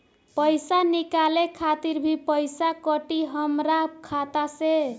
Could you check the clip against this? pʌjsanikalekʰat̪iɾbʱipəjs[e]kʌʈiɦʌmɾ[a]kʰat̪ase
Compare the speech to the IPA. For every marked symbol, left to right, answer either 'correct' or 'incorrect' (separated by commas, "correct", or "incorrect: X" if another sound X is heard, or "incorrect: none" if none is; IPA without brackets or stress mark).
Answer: incorrect: a, correct